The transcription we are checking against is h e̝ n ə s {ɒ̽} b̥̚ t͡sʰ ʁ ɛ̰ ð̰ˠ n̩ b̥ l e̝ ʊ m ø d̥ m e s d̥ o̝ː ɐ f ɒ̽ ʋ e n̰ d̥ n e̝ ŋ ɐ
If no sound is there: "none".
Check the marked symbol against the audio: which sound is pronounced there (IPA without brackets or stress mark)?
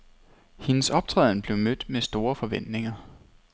ɒ̽